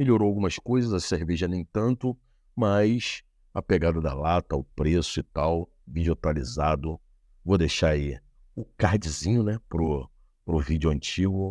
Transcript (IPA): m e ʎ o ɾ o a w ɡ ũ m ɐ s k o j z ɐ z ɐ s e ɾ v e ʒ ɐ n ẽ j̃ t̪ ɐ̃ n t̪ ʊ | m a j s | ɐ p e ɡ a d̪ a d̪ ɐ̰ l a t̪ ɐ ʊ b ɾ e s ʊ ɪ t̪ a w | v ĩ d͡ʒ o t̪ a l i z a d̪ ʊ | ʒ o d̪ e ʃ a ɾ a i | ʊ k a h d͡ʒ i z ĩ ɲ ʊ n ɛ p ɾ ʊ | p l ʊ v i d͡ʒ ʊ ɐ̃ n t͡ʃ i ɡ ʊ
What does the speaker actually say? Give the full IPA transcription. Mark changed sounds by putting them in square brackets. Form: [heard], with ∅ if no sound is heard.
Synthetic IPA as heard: m e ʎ o ɾ o a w ɡ ũ m ɐ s k o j z ɐ z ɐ s e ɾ v e ʒ ɐ n ẽ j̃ t̪ ɐ̃ n t̪ ʊ | m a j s | ɐ p e ɡ a d̪ [ɐ] d̪ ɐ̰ l a t̪ ɐ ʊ [p] ɾ e s ʊ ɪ t̪ a w | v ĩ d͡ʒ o t̪ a l i z a d̪ ʊ | [v] o d̪ e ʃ a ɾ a i | ʊ k a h d͡ʒ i z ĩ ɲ ʊ n ɛ p ɾ ʊ | p [ɾ] ʊ v i d͡ʒ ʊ ɐ̃ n t͡ʃ i ɡ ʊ